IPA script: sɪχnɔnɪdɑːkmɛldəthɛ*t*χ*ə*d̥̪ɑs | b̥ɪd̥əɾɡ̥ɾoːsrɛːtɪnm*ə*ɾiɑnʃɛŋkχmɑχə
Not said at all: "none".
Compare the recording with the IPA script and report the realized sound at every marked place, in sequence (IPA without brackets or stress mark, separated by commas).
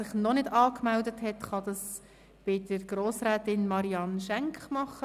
t, ɑ, ɑ